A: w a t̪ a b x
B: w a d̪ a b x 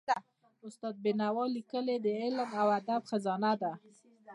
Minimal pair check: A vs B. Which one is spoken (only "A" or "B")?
B